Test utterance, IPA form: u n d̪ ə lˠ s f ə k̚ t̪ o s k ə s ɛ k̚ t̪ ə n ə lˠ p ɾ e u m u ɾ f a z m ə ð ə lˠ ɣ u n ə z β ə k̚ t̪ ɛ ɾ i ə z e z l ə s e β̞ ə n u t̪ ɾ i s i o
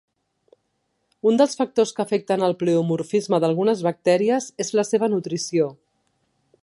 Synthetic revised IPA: u n d̪ ə lˠ s f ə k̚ t̪ o s k ə f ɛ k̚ t̪ ə n ə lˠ p l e u m u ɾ f i z m ə ð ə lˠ ɣ u n ə z β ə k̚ t̪ ɛ ɾ i ə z e z l ə s e β̞ ə n u t̪ ɾ i s i o